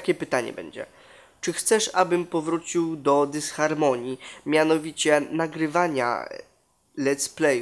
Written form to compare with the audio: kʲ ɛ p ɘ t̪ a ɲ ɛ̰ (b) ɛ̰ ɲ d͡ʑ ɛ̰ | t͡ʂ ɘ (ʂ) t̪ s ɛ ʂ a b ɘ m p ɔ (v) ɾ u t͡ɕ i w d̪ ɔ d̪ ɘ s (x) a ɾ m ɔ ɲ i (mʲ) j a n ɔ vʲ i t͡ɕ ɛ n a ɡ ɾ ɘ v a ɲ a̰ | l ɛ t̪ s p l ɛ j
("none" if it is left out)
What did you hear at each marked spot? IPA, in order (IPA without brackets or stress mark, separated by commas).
b, x, v, x, mʲ